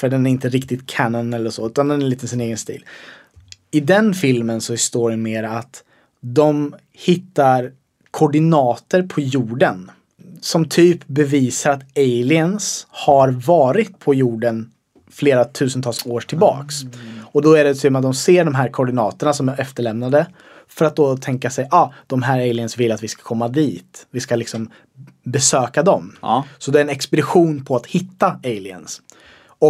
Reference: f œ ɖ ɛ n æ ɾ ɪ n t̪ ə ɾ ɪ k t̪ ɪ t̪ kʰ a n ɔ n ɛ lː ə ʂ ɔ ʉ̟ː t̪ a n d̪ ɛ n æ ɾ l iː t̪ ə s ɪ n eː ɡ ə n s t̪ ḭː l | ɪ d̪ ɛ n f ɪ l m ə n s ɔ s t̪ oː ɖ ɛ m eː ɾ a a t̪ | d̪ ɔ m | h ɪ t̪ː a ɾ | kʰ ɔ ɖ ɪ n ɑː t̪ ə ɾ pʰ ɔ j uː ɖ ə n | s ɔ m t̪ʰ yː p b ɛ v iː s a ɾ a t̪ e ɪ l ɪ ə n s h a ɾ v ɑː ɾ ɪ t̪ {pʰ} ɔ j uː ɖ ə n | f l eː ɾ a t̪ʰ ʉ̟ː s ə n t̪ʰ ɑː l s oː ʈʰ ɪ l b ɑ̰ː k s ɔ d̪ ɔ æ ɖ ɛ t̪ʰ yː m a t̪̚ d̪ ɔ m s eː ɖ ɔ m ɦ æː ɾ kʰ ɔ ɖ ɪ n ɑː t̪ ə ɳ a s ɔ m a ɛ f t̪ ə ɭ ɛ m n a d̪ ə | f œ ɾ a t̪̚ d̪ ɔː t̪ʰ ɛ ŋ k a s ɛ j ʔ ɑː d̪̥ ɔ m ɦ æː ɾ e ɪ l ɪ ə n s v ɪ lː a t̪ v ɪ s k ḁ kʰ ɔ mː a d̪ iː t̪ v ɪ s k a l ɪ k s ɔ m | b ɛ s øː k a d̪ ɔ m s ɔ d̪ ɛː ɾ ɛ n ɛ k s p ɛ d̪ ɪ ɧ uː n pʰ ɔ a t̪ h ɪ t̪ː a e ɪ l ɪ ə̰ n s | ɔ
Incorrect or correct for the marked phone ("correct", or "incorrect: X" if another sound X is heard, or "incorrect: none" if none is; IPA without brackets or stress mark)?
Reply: correct